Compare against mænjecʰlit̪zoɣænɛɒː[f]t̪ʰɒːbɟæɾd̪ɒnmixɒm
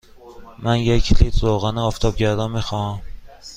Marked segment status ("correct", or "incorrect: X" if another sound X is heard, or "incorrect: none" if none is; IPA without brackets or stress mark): correct